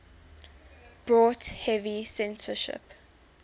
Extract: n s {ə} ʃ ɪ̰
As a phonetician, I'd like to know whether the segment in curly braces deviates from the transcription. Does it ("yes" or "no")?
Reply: no